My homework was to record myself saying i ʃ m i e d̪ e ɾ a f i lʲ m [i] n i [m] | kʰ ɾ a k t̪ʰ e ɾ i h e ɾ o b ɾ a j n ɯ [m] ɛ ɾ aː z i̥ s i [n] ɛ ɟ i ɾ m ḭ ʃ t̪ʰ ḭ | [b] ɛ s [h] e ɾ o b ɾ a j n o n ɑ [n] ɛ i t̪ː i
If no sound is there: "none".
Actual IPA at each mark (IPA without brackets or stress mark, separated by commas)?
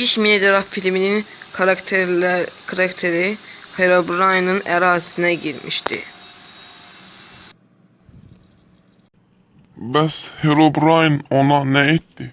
i, n, n, n, b, h, n